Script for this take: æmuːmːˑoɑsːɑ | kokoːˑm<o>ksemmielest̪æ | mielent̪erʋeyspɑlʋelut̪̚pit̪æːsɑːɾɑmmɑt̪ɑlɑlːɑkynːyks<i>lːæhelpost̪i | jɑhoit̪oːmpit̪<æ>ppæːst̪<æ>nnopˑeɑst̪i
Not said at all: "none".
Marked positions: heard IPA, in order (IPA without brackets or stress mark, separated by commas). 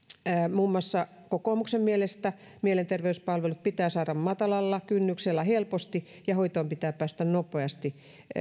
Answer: u, e, æː, æ